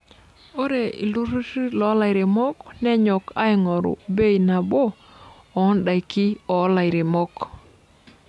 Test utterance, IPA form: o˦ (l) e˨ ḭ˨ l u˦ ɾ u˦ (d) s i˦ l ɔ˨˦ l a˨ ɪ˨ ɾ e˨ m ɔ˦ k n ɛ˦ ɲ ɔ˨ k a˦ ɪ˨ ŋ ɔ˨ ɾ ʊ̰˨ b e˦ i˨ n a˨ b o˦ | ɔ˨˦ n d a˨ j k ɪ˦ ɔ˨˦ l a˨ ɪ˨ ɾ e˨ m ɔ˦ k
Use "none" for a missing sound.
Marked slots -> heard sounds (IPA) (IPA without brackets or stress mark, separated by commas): ɾ, none